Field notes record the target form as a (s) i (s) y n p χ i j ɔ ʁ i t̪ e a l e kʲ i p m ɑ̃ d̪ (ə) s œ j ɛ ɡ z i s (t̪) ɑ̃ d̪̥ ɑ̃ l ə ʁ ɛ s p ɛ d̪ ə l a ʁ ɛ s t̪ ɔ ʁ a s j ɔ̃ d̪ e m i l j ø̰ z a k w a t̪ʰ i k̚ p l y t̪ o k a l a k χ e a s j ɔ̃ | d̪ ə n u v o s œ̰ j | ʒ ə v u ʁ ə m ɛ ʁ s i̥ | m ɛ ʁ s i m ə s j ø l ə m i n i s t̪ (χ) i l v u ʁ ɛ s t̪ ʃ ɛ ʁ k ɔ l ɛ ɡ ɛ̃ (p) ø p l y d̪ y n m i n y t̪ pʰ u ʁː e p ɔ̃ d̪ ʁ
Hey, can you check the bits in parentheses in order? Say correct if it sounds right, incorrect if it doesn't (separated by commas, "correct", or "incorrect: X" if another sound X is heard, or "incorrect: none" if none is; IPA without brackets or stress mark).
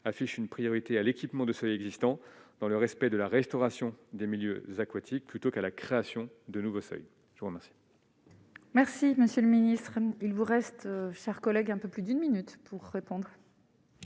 incorrect: f, incorrect: ʃ, correct, correct, correct, correct